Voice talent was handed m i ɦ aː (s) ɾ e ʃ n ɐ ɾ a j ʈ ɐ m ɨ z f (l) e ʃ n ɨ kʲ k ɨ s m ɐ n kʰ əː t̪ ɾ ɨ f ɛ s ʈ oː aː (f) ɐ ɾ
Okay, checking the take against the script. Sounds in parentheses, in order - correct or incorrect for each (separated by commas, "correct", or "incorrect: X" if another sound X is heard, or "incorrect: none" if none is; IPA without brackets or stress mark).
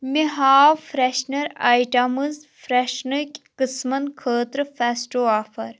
incorrect: f, incorrect: ɾ, correct